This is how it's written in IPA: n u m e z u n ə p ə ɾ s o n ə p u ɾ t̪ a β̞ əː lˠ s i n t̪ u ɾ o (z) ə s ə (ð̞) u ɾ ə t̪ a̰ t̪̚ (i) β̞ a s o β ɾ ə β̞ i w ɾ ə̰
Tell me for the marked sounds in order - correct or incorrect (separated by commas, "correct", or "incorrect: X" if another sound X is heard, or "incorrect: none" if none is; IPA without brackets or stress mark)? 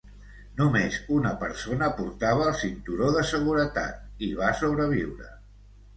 incorrect: ð, incorrect: ɣ̞, correct